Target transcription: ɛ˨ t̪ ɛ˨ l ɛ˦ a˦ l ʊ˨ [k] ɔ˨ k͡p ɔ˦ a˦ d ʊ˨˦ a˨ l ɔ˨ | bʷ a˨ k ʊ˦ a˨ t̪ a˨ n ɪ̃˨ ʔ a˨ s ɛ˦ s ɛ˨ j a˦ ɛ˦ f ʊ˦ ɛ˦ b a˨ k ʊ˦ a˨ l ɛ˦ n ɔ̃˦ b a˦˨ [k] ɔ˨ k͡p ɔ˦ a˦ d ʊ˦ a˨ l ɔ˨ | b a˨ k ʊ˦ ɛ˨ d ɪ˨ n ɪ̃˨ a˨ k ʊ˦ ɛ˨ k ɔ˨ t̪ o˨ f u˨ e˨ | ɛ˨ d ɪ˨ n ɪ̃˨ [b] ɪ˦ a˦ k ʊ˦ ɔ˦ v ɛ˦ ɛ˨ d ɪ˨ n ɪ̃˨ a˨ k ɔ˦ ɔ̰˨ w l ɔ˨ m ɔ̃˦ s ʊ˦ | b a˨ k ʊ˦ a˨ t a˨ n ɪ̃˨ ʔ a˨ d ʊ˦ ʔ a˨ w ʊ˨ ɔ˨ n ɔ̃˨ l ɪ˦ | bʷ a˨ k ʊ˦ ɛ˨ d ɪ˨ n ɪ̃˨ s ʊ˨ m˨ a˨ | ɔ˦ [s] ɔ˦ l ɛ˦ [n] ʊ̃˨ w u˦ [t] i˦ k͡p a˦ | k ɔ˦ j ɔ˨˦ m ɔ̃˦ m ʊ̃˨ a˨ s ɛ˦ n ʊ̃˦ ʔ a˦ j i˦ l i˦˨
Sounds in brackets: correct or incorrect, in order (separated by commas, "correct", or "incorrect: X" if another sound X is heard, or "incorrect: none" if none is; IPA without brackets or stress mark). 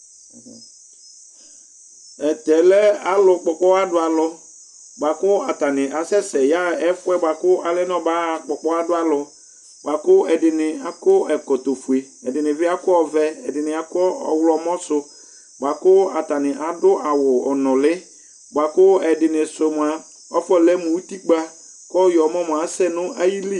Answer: incorrect: k͡p, incorrect: k͡p, incorrect: v, incorrect: f, incorrect: m, correct